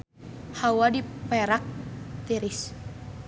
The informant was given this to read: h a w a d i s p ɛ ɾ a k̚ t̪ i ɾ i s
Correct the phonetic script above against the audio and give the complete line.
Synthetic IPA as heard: h a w a d i p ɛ ɾ a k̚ t̪ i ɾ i s